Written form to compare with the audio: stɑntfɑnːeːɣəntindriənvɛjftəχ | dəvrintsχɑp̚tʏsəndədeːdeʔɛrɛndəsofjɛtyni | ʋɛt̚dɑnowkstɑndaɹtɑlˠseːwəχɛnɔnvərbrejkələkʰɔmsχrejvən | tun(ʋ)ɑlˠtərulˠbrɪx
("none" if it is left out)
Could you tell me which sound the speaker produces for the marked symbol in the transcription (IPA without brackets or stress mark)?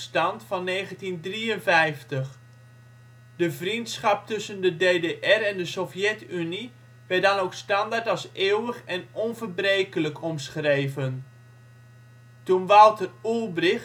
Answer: ʋ